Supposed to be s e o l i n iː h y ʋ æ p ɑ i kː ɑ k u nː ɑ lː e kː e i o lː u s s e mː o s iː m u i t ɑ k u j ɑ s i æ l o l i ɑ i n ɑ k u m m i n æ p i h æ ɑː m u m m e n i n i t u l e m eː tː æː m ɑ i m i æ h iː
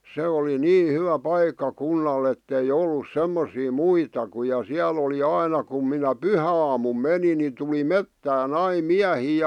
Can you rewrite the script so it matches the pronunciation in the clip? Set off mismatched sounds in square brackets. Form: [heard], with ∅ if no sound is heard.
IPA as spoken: s e o l i n iː h y ʋ æ p ɑ i kː ɑ k u nː ɑ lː e [tː] e i o lː u s s e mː o s iː m u i t ɑ k u j ɑ s i æ l o l i ɑ i n ɑ k u m m i n æ p [y] h æ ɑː m u m m e n i n i t u l [i] m [e] tː æː [n] ɑ i m i æ h iː